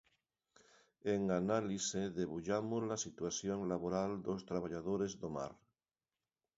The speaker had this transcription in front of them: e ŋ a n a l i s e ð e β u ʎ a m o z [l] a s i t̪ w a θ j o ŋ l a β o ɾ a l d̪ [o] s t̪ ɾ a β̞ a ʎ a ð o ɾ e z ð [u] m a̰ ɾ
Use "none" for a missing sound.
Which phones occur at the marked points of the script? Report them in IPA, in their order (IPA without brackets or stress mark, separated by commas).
l, o, o